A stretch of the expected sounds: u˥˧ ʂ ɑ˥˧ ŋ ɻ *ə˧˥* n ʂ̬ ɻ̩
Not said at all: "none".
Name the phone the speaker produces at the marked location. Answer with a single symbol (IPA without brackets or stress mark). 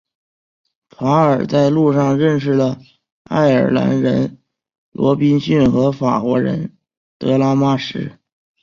ə˥˧